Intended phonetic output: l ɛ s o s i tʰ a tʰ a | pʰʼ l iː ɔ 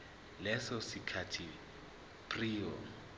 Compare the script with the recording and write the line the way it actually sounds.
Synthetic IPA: l ɛ s ɔ s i kʰ a tʰ i | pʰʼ r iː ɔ